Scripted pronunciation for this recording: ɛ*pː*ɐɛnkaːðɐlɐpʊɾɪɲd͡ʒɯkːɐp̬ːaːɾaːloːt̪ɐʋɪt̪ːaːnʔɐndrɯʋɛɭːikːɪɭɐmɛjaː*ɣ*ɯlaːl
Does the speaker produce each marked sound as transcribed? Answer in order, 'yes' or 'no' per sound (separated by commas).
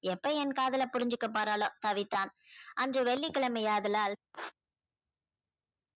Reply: yes, no